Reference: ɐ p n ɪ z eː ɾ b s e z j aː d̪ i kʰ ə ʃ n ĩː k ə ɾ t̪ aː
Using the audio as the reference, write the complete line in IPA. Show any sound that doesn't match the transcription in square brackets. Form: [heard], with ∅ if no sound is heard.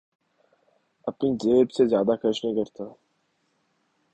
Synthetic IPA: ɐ p n [i] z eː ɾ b s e z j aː d̪ [a] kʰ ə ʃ n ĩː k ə ɾ t̪ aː